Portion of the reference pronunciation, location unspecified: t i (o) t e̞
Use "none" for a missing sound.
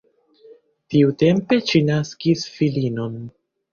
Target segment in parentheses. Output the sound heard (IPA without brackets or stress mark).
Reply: u